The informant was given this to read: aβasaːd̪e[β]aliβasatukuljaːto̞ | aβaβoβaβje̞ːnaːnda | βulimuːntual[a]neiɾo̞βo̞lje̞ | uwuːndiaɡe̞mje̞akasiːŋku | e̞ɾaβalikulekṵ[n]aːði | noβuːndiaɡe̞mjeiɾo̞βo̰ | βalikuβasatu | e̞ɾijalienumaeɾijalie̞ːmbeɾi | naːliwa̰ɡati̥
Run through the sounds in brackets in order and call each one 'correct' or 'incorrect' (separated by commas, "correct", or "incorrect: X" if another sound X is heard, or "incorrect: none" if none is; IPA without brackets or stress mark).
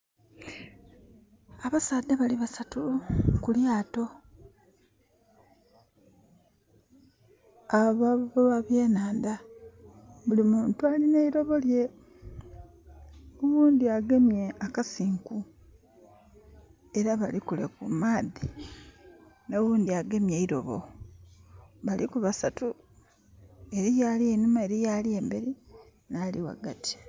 correct, incorrect: i, incorrect: m